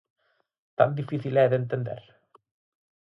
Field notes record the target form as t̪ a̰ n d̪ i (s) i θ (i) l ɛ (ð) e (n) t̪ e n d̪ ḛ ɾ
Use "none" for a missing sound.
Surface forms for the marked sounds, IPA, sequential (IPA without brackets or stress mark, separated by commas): f, i, ð, n